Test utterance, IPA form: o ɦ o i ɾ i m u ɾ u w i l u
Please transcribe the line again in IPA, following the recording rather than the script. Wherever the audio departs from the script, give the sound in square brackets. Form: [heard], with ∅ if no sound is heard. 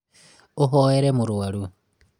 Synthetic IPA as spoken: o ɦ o [e] ɾ [e] m u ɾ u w [a] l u